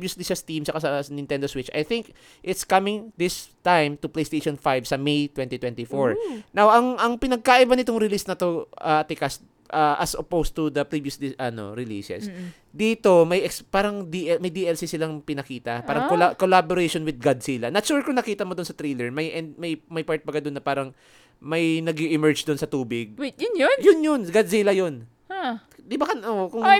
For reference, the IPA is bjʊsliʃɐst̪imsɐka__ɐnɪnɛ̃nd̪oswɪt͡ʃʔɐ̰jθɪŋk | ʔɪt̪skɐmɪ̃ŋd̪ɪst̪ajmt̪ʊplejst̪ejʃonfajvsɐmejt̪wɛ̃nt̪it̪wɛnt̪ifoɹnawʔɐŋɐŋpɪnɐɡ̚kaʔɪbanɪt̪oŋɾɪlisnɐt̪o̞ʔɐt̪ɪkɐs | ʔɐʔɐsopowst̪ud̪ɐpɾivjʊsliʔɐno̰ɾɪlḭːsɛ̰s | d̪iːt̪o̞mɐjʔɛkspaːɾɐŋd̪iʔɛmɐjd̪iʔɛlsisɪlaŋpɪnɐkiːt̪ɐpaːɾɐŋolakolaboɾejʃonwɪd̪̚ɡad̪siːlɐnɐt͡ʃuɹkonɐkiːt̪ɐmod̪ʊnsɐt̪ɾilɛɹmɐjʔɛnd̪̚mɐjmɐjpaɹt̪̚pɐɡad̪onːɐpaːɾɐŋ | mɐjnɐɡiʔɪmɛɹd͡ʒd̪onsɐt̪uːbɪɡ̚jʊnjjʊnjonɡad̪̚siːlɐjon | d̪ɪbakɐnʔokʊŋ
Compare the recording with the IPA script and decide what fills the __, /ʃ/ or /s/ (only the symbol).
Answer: s